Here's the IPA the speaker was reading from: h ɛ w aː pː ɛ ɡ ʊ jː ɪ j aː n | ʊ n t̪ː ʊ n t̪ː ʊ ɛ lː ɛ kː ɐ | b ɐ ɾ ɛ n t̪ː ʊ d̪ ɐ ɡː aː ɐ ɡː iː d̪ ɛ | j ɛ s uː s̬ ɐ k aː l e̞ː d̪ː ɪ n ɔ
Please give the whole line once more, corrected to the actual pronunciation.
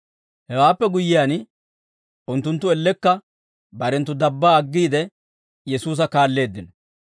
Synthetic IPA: h ɛ w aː pː ɛ ɡ ʊ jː ɪ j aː n | ʊ n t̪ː ʊ n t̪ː ʊ ɛ lː ɛ kː ɐ | b ɐ ɾ ɛ n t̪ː ʊ d̪ ɐ bː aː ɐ ɡː iː d̪ ɛ | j ɛ s uː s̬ ɐ k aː lː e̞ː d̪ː ɪ n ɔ